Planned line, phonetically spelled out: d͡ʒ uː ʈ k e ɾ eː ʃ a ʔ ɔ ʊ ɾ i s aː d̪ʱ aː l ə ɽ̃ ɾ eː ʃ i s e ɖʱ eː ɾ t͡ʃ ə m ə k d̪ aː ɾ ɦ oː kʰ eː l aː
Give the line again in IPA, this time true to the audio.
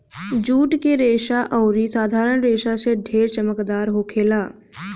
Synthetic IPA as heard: d͡ʒ uː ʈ k e ɾ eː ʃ a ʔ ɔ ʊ ɾ i s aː d̪ʱ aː ɾ ə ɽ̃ ɾ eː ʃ a s e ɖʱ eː ɾ t͡ʃ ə m ə k d̪ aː ɾ ɦ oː kʰ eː l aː